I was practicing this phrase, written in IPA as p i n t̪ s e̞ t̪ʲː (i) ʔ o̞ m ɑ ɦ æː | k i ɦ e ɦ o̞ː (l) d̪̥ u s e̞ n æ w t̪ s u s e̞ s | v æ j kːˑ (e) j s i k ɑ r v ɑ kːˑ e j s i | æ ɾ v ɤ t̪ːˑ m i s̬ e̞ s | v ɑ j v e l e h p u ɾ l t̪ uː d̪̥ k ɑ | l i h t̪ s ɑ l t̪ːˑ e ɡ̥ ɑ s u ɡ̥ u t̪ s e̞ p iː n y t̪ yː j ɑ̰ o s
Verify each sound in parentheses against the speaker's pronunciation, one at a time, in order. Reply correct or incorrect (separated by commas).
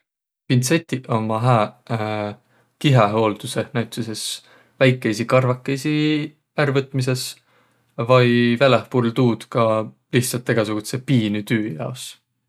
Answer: correct, correct, correct